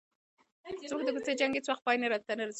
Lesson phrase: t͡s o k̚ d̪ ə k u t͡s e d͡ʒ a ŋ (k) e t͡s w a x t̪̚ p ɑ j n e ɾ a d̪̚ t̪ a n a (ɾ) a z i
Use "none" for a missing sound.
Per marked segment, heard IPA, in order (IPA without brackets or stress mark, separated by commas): ɡ, ɾ